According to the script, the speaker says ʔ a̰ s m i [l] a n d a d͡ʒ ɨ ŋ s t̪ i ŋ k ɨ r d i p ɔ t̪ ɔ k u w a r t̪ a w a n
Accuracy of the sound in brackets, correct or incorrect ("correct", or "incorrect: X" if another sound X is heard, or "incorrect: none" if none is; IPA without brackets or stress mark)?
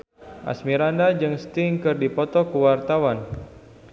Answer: incorrect: ɾ